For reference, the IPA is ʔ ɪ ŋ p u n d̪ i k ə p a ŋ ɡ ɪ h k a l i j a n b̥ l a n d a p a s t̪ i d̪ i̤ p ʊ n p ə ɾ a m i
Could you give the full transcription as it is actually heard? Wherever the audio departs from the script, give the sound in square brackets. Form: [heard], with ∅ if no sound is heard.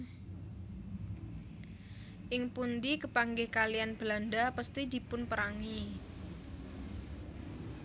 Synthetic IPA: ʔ ɪ ŋ p u n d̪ i k ə p a ŋ ɡ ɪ h k a l i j a n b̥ l a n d a p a s t̪ i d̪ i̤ p ʊ n p ə ɾ a [ŋ] i